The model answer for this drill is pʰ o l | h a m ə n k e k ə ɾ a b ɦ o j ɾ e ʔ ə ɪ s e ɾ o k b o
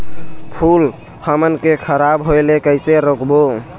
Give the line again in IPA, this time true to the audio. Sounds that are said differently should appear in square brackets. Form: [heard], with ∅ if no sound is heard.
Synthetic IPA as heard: pʰ [u] l | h [ə] m ə n k e [kʰ] ə ɾ a b ɦ o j [l] e [k] ə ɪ s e ɾ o k b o